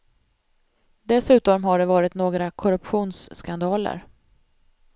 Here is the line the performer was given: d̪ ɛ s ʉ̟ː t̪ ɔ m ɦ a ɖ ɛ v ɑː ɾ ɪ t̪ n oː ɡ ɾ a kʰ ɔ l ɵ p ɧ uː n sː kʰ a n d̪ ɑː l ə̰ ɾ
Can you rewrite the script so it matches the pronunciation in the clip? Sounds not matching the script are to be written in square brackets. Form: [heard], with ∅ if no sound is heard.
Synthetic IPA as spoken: d̪ ɛ s ʉ̟ː t̪ ɔ m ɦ a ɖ ɛ v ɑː ɾ ɪ t̪ n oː ɡ ɾ a kʰ ɔ [ɾ] ɵ p ɧ uː n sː [k] a n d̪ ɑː l ə̰ ɾ